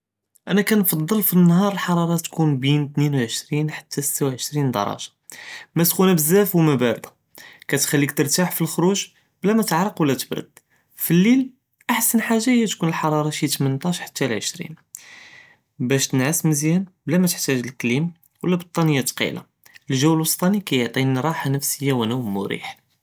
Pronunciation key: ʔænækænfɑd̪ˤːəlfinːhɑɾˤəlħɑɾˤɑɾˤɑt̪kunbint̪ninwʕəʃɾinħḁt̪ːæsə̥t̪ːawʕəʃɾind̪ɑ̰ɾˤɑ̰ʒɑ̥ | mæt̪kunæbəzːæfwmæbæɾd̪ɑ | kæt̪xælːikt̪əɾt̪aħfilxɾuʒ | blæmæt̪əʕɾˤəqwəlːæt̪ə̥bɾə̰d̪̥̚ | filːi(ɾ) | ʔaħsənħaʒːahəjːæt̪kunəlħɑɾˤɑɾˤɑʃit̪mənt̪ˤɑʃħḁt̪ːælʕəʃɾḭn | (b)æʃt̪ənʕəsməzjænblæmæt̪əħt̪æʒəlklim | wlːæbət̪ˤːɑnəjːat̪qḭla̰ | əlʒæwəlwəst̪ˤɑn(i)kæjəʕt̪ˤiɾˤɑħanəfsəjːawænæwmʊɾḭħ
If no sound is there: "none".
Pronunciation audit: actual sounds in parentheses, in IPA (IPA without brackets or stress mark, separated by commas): l, b, i